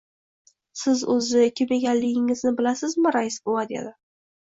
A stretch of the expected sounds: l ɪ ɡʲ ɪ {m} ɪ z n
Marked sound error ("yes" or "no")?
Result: yes